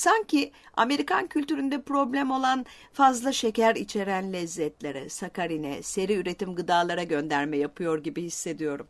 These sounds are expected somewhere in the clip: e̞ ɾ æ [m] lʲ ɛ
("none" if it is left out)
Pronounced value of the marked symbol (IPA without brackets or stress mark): n